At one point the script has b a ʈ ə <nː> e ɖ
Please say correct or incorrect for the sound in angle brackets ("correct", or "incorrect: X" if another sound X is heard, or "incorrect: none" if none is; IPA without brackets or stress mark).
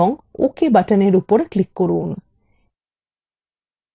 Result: incorrect: n